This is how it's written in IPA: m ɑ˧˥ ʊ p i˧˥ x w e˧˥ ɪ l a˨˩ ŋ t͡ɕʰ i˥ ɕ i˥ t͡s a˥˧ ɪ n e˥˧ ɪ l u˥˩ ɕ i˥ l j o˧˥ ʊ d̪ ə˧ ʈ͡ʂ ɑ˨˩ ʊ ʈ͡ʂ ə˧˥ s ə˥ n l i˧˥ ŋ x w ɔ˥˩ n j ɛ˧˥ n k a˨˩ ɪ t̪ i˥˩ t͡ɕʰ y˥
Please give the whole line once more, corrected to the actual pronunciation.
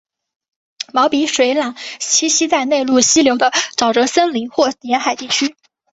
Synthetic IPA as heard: m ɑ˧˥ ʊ p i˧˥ ʂ w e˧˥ ɪ l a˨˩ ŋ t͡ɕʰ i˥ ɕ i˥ t͡s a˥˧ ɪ n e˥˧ ɪ l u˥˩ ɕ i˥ l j o˧˥ ʊ d̪ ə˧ ʈ͡ʂ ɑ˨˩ ʊ ʈ͡ʂ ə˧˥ s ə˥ n l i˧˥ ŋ x w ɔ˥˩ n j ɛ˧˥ n x a˨˩ ɪ t̪ i˥˩ t͡ɕʰ y˥